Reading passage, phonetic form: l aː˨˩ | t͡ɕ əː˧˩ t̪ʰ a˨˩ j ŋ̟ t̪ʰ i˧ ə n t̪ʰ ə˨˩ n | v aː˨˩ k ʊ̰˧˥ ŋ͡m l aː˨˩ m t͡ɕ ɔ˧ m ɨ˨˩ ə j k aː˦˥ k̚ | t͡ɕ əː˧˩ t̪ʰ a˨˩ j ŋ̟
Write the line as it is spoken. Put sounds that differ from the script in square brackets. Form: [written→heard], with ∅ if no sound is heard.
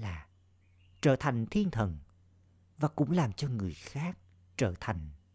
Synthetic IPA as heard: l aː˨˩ | t͡ɕ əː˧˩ t̪ʰ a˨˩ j ŋ̟ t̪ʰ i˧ ə n t̪ʰ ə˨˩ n | v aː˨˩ k ʊ̰˧˥ ŋ͡m l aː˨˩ m t͡ɕ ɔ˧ [m→ŋ] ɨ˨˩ ə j [k→x] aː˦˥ k̚ | t͡ɕ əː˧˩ t̪ʰ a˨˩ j ŋ̟